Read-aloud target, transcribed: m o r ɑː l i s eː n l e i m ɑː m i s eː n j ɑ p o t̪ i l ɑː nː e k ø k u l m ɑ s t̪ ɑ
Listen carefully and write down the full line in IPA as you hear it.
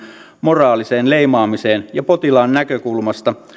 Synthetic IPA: m o r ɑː l i s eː n l e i m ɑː m i s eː n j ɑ p o t̪ i l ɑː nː æ k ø k u l m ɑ s t̪ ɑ